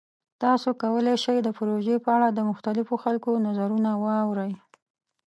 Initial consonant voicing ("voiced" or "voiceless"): voiceless